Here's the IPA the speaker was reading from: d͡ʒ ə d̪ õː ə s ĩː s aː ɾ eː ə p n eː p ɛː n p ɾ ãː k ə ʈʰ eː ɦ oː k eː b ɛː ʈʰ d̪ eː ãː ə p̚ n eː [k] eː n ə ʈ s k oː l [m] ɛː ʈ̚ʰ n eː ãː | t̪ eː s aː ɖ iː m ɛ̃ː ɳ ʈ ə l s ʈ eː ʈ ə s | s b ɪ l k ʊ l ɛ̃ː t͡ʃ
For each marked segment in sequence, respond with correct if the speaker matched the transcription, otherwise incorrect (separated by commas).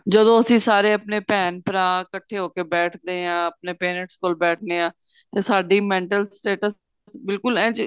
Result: incorrect, incorrect